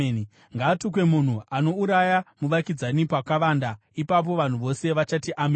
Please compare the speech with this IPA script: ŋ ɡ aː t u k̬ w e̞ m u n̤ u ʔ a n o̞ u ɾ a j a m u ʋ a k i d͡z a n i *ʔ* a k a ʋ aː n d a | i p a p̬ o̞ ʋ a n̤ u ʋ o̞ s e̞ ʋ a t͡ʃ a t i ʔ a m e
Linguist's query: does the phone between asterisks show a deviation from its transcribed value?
yes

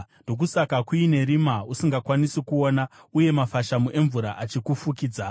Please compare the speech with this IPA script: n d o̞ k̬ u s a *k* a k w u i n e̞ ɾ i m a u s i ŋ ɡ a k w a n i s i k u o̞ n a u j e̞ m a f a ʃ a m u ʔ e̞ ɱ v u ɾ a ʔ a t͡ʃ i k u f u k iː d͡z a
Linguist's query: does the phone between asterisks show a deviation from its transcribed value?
no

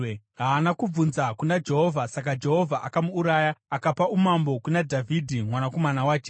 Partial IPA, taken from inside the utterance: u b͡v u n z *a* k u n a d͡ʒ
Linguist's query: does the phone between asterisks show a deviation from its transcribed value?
no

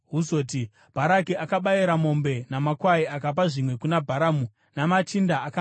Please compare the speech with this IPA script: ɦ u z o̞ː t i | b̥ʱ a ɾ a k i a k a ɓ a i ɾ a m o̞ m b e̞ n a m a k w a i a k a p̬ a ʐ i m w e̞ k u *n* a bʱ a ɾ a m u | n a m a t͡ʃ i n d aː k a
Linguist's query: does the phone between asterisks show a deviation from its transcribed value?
no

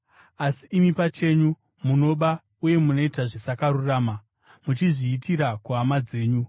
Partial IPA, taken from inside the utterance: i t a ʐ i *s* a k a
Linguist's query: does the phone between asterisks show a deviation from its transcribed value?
no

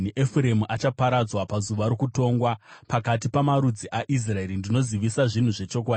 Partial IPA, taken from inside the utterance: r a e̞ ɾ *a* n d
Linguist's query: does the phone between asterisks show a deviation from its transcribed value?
yes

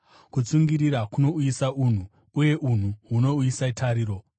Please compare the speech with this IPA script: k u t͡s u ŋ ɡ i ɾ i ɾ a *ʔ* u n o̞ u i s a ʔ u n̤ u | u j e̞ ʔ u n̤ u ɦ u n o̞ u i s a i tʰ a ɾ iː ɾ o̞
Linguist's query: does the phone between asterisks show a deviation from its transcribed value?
yes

